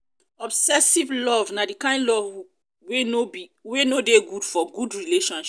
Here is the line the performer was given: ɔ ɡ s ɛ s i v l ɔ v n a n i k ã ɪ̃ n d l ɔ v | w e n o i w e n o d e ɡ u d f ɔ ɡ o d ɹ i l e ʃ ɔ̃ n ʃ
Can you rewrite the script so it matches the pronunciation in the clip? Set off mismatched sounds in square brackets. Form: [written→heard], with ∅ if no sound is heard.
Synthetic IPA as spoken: ɔ [ɡ→b] s ɛ s i v l ɔ v n a [n→d] i k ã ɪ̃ n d l ɔ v | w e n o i w e n o d e ɡ u d f ɔ ɡ [o→u] d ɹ i l e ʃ ɔ̃ n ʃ